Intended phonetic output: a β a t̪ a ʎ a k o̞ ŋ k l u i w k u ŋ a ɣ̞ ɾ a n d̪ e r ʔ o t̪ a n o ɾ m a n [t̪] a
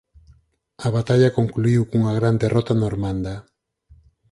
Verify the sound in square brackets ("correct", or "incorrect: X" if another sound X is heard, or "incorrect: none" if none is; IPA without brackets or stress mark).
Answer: incorrect: d̪